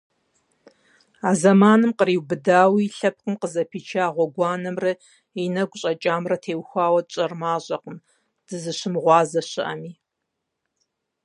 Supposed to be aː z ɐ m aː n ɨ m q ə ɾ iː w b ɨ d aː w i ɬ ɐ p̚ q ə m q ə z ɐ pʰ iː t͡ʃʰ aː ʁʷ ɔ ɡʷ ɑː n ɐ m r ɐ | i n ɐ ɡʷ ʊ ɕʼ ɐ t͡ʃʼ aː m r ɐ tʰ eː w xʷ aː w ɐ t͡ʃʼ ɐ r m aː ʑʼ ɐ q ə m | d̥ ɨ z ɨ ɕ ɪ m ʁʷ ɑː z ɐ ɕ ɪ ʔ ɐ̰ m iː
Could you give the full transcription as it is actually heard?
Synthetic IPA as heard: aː z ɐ m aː n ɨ m q ə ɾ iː w b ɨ d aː w i ɬ ɐ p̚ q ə m q ə z ɐ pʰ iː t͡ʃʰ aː ʁʷ ɔ ɡʷ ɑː n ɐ m r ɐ | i n ɐ ɡʷ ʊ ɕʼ ɐ t͡ʃʼ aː m r ɐ tʰ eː w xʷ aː w ɐ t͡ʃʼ ɐ r m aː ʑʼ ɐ q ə m | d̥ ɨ z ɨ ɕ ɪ m ʁʷ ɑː z ɐ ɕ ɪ ʔ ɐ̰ m iː